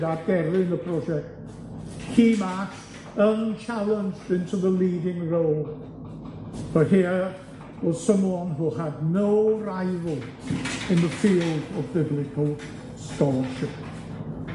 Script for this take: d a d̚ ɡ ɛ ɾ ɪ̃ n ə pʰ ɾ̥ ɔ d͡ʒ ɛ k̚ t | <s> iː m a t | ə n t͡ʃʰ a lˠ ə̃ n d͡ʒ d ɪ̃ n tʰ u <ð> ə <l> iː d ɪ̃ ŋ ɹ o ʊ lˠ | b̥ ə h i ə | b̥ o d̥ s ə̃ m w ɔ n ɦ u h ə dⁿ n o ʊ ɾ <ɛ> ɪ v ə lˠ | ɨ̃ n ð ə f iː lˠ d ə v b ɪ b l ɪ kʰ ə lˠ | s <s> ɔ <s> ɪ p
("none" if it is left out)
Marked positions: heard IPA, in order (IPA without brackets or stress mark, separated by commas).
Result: h, ð, l, a, t, ʃ